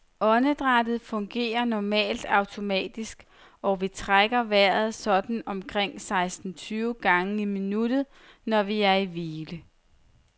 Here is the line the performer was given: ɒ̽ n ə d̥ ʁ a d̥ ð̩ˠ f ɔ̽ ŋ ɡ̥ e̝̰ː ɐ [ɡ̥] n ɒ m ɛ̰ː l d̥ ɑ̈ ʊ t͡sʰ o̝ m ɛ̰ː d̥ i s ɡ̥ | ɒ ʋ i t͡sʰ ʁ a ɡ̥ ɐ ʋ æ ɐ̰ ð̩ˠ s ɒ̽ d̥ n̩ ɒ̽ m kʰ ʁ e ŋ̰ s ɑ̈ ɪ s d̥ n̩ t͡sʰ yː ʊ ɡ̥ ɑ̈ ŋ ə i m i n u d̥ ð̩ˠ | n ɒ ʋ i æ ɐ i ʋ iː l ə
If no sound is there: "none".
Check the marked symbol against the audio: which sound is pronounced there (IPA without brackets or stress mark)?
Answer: none